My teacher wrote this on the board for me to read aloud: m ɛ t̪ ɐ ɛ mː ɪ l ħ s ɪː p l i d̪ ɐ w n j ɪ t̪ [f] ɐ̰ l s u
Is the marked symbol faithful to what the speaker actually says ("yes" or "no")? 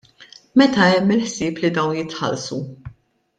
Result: no